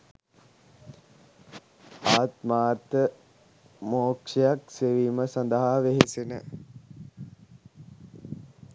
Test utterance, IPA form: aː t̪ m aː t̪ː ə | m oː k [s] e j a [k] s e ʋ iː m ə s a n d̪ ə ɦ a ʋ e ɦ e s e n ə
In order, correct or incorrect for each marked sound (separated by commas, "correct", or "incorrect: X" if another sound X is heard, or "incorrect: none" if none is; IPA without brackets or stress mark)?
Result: incorrect: ʂ, correct